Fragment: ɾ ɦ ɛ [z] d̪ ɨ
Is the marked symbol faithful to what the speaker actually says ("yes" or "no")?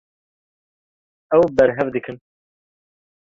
no